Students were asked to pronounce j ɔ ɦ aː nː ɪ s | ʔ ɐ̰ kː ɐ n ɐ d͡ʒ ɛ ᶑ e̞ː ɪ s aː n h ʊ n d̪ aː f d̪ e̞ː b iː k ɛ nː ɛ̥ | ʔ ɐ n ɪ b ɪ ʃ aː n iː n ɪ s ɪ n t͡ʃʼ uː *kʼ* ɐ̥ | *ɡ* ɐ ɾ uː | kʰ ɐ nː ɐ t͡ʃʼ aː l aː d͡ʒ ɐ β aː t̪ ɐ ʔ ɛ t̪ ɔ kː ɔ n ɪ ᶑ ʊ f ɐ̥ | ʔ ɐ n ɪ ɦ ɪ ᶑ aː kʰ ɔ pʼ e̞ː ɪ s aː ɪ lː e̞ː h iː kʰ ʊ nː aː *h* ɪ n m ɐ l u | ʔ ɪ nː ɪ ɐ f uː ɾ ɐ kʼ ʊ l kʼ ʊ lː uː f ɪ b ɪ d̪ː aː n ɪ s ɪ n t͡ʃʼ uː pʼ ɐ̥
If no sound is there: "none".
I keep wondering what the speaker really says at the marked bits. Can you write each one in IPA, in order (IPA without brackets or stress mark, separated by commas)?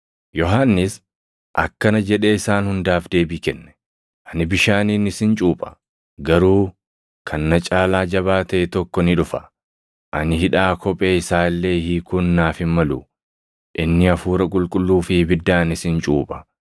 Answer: pʼ, ɡ, f